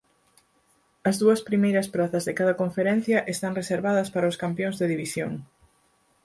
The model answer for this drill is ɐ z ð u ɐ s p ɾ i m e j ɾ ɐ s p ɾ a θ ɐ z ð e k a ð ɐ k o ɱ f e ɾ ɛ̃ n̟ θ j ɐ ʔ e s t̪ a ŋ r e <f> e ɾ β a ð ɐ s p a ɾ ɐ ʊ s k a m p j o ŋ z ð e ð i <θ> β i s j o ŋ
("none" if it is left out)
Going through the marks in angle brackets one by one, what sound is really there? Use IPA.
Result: s, none

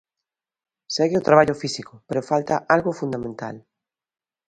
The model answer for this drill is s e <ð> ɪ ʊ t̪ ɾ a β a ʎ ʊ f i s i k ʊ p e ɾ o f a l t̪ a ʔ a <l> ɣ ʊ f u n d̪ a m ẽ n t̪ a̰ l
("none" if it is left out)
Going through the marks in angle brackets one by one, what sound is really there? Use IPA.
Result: ɣ, l

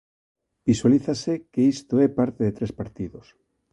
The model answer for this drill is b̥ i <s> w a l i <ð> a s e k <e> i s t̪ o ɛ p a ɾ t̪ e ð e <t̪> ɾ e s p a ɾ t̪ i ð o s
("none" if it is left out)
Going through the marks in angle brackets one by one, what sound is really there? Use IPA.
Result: s, θ, e, t̪

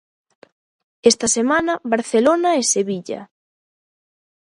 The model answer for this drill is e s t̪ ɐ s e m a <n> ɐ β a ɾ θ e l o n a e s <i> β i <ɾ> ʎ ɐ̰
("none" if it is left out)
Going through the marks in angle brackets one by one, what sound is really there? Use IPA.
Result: n, e, none

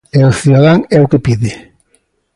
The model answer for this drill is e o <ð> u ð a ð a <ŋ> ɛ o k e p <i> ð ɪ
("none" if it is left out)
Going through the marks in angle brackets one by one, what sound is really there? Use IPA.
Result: θ, ŋ, i

